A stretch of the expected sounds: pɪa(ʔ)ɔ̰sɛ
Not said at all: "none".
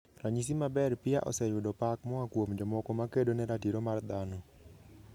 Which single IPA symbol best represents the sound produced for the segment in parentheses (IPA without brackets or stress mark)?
ʔ